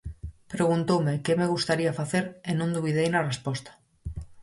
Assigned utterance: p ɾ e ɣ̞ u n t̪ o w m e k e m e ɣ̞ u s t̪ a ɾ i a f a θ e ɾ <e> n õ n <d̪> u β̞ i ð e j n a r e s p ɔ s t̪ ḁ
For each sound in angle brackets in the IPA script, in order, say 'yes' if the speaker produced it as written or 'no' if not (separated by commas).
yes, yes